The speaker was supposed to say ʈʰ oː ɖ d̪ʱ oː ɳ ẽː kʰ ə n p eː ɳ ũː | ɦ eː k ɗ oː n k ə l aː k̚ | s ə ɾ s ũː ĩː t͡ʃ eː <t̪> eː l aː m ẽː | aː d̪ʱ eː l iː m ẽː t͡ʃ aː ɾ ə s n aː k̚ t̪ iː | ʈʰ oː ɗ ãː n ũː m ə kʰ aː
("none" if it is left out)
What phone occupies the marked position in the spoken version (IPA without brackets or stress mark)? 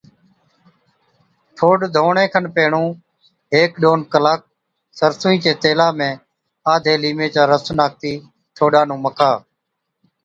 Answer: t̪